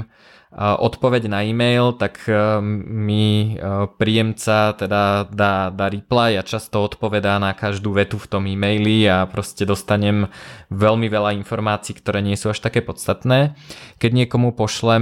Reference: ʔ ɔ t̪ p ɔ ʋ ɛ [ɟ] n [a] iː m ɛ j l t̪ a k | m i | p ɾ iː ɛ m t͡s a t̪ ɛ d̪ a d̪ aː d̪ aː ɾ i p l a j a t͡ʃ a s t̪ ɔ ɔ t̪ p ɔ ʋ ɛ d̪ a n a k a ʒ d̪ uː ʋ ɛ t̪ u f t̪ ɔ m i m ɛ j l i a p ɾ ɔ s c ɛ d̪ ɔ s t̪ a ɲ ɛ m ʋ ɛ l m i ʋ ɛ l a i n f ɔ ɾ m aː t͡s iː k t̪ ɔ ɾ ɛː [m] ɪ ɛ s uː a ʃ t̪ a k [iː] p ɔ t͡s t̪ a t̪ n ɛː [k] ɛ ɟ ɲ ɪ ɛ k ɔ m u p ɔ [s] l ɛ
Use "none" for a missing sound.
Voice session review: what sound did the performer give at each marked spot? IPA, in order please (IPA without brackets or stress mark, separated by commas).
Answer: ɟ, a, ɲ, ɛː, k, ʃ